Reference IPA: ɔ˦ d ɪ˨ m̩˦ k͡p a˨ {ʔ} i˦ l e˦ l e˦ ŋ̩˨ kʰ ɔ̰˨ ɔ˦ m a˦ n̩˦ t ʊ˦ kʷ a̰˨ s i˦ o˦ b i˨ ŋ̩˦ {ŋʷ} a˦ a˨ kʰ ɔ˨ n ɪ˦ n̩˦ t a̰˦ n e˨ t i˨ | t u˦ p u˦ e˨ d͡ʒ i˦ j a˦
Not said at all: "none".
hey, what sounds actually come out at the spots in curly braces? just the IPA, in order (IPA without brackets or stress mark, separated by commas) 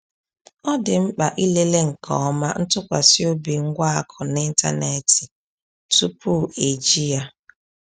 ʔ, ɡʷ